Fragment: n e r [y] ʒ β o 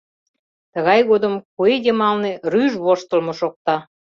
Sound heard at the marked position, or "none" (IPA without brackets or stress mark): y